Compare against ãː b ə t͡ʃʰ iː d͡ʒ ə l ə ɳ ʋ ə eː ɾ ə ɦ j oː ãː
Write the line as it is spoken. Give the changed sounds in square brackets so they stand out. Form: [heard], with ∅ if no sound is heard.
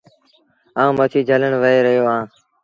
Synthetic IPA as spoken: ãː [m] ə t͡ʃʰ iː d͡ʒ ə l ə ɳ ʋ ə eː ɾ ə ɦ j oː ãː